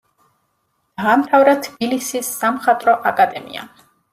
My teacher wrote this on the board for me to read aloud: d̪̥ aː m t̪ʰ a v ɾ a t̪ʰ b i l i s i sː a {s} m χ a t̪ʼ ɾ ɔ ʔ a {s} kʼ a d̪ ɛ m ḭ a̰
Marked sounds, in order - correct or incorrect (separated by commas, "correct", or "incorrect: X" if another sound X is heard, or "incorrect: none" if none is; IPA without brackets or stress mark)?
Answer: incorrect: none, incorrect: none